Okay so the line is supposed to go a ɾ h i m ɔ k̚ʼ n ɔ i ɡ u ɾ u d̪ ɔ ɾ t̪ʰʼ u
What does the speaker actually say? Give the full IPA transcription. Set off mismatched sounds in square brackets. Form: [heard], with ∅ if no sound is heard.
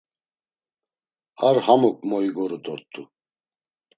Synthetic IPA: a ɾ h [a] m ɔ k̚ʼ [m] ɔ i ɡ [ɔ] ɾ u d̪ ɔ ɾ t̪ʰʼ u

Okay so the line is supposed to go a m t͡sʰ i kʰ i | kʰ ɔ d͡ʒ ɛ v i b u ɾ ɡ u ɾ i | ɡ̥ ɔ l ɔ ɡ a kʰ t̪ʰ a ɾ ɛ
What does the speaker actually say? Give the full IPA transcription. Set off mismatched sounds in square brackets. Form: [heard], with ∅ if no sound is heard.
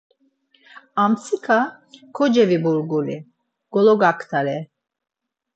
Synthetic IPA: a m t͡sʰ i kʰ [a] | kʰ ɔ d͡ʒ ɛ v i b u ɾ ɡ u [l] i | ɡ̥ ɔ l ɔ ɡ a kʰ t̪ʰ a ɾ ɛ

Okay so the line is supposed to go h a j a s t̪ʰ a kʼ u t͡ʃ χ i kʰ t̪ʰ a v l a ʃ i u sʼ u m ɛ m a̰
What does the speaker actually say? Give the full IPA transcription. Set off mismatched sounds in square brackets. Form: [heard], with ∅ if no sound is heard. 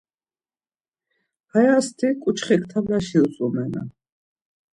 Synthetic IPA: h a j a s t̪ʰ [i] kʼ u t͡ʃ χ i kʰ t̪ʰ a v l a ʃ i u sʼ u m ɛ [n] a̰

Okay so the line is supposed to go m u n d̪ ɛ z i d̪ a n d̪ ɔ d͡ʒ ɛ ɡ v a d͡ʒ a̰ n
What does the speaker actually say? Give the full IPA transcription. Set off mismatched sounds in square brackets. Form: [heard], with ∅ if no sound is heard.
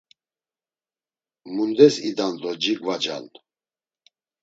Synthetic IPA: m u n d̪ ɛ [s] i d̪ a n d̪ ɔ d͡ʒ [i] ɡ v a d͡ʒ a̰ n

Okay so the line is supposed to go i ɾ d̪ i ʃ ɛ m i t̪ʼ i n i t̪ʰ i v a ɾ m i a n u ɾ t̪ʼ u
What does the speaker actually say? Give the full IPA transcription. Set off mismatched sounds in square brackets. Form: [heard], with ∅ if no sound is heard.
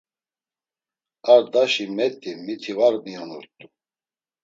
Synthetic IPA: [a] ɾ d̪ [a] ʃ [i] m [ɛ] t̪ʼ i [m] i t̪ʰ i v a ɾ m i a n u ɾ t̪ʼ u

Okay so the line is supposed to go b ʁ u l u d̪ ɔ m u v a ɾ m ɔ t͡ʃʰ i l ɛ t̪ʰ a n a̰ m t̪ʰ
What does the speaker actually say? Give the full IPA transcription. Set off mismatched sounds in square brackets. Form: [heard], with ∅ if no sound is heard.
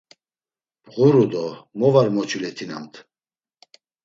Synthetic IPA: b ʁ u [ɾ] u d̪ ɔ m [ɔ] v a ɾ m ɔ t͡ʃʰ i l ɛ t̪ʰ [i] n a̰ m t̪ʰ

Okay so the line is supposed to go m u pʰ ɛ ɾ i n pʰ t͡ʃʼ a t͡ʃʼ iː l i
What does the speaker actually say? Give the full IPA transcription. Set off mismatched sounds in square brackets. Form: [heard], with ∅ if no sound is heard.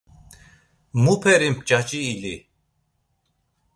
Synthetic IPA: m u pʰ ɛ ɾ i [m] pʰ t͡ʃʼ a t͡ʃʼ iː l i

